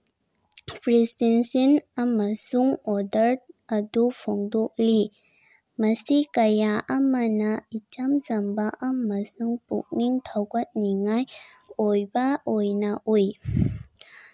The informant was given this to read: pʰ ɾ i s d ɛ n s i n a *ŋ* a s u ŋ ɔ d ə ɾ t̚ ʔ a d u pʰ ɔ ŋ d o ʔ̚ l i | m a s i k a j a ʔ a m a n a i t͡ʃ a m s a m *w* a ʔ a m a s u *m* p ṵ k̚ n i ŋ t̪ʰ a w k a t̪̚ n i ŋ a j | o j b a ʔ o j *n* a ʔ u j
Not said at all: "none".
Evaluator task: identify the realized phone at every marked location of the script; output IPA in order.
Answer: m, b, ŋ, n

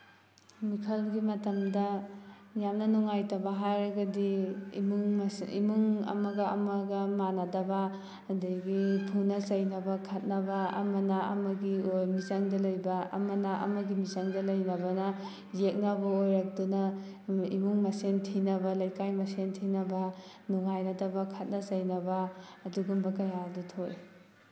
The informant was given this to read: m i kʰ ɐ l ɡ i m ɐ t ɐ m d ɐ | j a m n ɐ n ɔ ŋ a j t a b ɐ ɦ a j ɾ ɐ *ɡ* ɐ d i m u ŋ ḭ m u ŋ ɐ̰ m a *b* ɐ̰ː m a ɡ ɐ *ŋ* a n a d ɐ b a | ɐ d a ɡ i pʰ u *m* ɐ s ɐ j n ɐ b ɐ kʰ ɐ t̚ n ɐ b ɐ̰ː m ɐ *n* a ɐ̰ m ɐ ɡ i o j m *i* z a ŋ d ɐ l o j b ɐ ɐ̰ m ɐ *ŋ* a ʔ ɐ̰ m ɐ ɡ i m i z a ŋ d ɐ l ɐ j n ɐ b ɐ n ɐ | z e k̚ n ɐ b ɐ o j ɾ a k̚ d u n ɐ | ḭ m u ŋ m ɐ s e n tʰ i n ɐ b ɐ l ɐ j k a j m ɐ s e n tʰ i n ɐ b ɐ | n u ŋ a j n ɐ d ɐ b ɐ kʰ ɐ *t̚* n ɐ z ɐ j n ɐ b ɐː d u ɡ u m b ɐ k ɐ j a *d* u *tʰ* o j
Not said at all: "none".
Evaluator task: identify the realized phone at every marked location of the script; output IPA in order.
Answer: ɡ, ɡ, m, n, n, i, n, t̚, d, tʰ

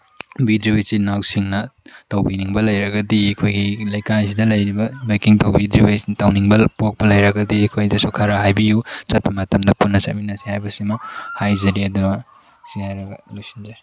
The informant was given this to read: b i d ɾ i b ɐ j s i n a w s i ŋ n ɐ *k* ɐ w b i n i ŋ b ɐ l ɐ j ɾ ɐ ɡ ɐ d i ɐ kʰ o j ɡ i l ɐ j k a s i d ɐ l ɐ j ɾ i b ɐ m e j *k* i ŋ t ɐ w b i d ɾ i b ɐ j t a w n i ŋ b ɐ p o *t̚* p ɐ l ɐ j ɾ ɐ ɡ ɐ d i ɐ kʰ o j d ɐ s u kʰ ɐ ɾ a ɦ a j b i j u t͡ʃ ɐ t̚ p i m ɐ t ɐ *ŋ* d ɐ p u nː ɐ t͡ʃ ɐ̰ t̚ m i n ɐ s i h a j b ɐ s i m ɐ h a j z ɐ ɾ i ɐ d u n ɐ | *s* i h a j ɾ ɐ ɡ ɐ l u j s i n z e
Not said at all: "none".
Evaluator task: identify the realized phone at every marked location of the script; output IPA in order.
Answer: t, k, k̚, m, s

